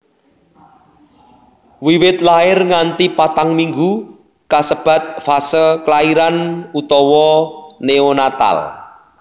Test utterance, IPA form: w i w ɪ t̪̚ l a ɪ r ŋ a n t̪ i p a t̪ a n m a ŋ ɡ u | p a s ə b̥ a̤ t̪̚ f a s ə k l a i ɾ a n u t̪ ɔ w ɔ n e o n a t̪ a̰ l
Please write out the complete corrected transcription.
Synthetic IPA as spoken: w i w ɪ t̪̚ l a ɪ r ŋ a n t̪ i p a t̪ a ŋ m i ŋ ɡ u | k a s ə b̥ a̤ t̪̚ f a s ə k l a i ɾ a n u t̪ ɔ w ɔ n e o n a t̪ a̰ l